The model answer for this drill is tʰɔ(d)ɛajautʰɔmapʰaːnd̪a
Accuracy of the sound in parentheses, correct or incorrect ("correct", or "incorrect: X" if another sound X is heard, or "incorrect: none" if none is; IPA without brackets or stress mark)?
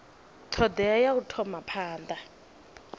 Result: correct